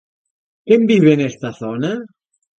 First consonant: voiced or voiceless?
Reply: voiceless